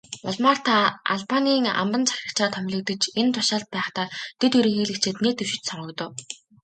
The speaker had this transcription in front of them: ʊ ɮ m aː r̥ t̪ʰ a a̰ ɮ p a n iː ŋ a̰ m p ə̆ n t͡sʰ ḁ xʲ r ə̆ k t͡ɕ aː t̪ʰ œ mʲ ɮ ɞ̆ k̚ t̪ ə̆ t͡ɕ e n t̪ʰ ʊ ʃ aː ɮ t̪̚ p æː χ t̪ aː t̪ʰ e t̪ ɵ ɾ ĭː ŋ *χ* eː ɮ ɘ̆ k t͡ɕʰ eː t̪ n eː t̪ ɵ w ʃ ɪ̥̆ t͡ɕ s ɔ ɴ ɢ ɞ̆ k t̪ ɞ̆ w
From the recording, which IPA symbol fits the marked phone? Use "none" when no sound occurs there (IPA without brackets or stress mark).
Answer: x